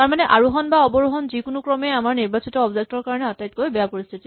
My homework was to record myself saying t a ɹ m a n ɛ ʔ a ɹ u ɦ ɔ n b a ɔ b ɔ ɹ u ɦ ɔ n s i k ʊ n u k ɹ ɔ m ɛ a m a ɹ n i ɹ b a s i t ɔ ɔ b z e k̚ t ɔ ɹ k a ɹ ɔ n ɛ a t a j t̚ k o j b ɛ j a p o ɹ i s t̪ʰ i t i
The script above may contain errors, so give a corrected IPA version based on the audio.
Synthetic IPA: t a ɹ m a n ɛ ʔ a ɹ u ɦ ɔ n b a ɔ b ɔ ɹ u ɦ ɔ n z i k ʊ n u k ɹ ɔ m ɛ a m a ɹ n i ɹ b a s i t ɔ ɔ b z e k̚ t ɔ ɹ k a ɹ ɔ n ɛ a t a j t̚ k o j b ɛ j a p o ɹ i s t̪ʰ i t i